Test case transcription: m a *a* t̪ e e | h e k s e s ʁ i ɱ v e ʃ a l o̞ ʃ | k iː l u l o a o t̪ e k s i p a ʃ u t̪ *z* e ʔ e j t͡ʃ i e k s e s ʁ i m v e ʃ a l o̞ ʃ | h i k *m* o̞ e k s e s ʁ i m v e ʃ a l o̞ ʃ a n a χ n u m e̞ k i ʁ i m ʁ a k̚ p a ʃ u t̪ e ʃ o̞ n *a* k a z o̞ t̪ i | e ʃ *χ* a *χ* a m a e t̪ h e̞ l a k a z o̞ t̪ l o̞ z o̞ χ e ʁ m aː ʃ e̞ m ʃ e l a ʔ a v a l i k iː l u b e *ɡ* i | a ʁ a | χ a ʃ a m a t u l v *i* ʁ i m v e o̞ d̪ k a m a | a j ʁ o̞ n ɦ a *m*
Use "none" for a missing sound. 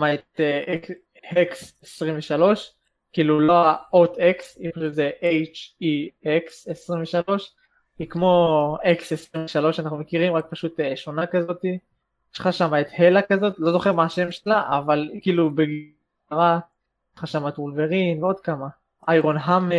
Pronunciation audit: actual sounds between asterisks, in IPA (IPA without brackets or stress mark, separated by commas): e, z, m, a, χ, ʃ, ɡ, e, m